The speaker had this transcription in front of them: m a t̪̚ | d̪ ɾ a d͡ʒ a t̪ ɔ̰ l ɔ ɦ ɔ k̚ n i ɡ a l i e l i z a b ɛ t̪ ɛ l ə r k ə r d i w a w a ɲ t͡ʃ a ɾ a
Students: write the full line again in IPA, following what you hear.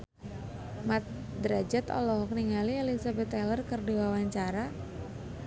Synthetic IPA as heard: m a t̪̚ | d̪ ɾ a d͡ʒ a t̪ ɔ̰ l ɔ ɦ ɔ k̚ n i ŋ a l i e l i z a b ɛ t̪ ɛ l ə r k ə r d i w a w a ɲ t͡ʃ a ɾ a